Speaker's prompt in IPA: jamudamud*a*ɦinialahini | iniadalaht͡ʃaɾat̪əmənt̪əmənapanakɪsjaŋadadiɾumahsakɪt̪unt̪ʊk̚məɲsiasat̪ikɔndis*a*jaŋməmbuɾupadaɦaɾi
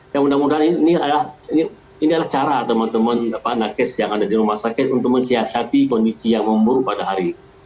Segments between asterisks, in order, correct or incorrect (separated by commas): correct, incorrect